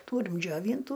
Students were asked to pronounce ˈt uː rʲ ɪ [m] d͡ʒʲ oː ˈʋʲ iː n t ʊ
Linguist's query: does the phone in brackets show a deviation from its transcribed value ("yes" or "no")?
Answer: no